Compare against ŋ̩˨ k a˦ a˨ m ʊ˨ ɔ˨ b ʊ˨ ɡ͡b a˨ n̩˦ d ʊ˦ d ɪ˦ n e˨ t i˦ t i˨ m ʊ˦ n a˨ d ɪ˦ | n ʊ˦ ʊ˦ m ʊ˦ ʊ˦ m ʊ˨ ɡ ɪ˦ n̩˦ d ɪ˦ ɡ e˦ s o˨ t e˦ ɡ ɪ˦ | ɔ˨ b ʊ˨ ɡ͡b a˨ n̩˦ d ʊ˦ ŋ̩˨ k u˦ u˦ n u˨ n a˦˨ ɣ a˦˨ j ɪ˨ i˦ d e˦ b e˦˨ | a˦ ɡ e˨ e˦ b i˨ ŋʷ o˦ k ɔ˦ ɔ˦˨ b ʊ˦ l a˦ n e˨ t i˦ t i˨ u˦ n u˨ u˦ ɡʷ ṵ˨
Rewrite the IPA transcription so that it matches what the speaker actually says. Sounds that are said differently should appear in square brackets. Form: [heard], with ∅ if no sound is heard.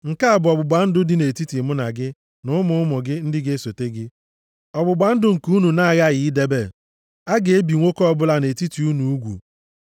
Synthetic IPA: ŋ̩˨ k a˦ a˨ [b] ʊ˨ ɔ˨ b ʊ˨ ɡ͡b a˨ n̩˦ d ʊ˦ d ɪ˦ n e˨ t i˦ t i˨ m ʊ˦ n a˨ [ɡ] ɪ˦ | n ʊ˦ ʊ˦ m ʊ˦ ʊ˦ m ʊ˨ ɡ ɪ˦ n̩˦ d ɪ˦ ɡ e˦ s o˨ t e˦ ɡ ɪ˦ | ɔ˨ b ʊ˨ ɡ͡b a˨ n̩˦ d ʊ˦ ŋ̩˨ k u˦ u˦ n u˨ n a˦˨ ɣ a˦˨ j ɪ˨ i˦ d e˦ b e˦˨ | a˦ ɡ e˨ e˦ b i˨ ŋʷ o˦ k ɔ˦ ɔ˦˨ b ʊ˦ l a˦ n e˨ t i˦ t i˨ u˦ n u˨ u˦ ɡʷ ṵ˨